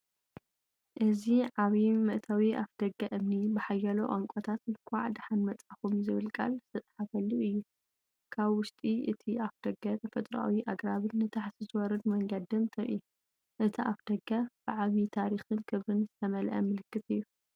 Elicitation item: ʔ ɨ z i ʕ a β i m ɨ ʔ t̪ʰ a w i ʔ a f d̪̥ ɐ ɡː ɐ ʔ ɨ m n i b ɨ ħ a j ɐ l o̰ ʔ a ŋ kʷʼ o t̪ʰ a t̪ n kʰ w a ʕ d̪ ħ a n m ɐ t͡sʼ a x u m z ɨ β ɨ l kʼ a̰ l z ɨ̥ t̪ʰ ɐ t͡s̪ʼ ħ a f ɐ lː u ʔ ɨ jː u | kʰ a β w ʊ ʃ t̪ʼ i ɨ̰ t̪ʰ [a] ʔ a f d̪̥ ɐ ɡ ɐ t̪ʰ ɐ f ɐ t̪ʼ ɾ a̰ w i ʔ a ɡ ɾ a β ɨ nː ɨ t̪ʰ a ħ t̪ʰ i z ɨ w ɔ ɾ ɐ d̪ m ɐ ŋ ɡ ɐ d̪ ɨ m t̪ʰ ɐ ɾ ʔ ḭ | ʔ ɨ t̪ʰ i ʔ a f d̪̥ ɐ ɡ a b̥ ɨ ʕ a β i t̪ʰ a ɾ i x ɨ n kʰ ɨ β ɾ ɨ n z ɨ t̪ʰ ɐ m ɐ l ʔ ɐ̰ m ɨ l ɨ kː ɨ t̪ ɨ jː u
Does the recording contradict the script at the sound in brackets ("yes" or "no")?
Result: yes